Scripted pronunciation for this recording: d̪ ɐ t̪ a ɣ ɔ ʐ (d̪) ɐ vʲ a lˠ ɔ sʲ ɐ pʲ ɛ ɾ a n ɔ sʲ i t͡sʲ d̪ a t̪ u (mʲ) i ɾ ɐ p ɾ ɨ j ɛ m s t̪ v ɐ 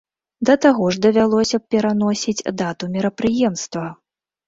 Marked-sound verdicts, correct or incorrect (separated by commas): correct, correct